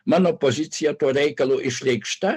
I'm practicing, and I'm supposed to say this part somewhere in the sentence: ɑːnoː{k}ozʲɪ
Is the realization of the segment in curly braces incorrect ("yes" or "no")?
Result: yes